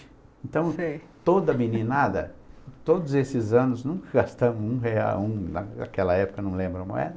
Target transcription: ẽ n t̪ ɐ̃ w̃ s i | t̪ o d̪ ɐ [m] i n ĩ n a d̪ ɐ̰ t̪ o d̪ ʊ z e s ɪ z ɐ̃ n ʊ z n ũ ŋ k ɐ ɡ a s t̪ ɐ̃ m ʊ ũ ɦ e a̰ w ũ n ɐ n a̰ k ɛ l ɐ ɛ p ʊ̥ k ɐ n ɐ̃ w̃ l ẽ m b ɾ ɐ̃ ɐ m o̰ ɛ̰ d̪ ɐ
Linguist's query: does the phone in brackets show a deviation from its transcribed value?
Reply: no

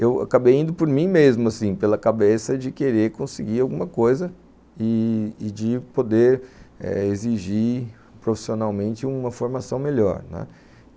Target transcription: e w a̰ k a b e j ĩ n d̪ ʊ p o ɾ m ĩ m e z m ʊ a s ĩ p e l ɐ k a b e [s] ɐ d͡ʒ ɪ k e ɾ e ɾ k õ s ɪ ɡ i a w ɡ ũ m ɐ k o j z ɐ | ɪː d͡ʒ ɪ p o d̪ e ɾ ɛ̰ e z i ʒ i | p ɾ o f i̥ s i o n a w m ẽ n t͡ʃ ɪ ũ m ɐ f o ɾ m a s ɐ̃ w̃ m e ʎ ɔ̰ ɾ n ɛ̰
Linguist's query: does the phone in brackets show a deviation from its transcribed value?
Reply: no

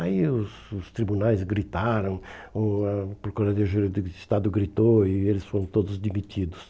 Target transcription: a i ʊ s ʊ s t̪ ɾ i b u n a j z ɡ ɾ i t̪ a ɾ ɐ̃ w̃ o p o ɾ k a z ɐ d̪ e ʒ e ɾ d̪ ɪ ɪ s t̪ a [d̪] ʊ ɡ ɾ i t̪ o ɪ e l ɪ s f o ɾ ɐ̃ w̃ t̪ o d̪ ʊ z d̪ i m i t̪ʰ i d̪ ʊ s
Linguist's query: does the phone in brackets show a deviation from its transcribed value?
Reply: no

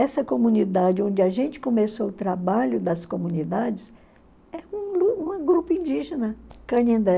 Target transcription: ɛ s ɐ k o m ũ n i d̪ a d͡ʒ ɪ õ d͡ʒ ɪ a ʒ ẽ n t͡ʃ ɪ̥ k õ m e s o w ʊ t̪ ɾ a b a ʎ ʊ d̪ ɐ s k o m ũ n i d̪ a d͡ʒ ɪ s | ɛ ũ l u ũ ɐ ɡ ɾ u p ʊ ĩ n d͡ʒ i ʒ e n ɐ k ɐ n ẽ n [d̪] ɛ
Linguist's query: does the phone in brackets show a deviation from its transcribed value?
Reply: no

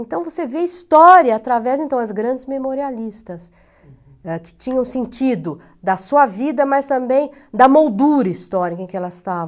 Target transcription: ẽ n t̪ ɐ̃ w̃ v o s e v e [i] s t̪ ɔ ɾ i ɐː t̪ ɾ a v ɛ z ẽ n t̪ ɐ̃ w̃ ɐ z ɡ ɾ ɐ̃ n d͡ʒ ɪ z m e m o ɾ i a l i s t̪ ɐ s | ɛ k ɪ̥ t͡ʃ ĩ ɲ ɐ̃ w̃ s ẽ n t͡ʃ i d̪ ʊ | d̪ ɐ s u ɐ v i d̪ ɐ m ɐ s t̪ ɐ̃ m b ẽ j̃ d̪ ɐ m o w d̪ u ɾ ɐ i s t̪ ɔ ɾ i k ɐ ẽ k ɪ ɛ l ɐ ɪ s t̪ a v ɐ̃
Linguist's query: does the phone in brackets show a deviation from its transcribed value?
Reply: no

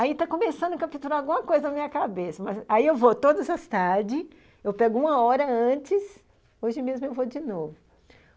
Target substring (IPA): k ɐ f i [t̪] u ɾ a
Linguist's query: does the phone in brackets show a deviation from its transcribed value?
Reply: no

